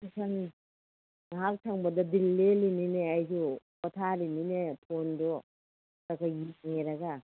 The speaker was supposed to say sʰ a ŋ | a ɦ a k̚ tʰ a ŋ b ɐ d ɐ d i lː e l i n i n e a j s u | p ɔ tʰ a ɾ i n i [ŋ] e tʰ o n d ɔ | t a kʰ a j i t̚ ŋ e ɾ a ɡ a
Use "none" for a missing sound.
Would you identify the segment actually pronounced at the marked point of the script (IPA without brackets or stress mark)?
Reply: n